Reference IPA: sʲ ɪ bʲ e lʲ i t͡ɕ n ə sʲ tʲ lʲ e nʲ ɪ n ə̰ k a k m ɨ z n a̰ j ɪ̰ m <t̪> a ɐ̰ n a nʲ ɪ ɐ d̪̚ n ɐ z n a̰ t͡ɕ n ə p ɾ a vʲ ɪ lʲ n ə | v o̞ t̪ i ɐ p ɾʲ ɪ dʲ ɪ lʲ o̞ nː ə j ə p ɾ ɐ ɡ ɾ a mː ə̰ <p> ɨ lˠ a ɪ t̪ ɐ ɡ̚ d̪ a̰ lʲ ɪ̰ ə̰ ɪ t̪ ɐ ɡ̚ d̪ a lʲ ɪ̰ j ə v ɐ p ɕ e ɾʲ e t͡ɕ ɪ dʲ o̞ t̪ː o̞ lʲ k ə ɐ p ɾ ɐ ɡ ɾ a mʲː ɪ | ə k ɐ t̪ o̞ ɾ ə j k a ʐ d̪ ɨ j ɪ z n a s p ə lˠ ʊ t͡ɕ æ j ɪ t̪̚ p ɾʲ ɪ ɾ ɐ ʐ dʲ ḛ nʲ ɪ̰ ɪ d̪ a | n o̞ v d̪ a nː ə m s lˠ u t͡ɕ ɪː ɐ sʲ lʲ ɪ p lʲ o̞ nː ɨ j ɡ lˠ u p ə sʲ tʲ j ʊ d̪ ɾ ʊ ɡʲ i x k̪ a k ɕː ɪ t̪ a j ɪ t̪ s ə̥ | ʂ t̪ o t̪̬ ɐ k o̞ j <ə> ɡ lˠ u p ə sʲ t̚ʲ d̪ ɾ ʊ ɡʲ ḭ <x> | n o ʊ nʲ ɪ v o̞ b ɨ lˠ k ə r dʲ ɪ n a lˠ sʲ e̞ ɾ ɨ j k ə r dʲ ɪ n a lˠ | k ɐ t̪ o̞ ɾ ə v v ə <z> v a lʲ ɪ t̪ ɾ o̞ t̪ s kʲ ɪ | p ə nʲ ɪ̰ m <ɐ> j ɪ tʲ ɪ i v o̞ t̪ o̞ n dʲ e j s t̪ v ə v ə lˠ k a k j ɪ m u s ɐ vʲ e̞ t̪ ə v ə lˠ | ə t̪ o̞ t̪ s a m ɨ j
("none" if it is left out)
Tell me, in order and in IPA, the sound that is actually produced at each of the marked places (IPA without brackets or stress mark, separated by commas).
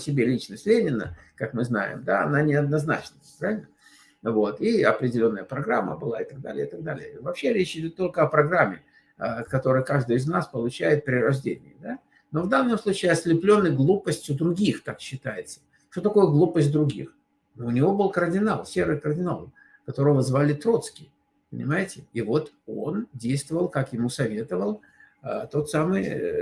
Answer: d̪, b, ə, x, z, a